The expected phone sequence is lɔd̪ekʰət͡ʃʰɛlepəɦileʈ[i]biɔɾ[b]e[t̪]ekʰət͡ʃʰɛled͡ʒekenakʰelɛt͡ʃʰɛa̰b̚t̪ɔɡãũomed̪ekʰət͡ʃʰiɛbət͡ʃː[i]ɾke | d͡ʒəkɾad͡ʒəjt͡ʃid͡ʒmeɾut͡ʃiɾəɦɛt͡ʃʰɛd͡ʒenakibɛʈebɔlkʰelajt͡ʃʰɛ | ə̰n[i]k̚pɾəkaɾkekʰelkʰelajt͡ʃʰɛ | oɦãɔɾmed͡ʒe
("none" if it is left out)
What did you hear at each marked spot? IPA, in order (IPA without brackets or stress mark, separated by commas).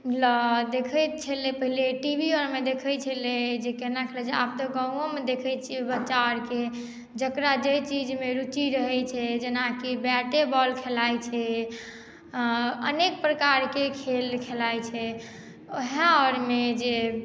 i, m, d̪, a, e